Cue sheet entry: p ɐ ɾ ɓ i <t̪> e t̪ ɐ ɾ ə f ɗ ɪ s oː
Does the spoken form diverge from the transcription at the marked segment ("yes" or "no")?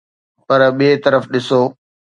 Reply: yes